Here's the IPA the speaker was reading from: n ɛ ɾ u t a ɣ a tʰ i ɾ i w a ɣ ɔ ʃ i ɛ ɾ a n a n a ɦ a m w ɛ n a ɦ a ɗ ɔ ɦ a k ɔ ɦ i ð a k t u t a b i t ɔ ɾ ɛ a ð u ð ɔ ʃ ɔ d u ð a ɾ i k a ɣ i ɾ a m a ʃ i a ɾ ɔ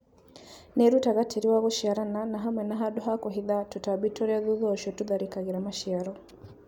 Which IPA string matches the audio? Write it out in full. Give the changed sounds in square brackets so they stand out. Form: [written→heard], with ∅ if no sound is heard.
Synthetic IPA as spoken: n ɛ ɾ u t a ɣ a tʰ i ɾ i w a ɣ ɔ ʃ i [ɛ→a] ɾ a n a n a ɦ a m w ɛ n a ɦ a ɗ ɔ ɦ a k ɔ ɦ i ð a [k→∅] t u t a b i t ɔ ɾ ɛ a ð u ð ɔ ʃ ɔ [d→t] u ð a ɾ i k a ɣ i ɾ a m a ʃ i a ɾ ɔ